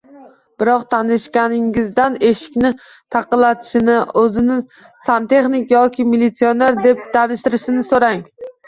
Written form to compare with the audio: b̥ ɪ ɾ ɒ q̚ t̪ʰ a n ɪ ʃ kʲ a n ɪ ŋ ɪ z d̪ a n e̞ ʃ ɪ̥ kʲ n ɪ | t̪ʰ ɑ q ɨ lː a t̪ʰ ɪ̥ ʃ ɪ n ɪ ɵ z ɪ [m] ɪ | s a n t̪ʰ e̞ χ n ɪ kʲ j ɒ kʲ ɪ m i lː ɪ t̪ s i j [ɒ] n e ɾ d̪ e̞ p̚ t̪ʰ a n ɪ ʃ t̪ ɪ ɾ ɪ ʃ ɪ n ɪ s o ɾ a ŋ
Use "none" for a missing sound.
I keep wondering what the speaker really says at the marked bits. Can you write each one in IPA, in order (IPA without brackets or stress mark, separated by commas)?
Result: n, o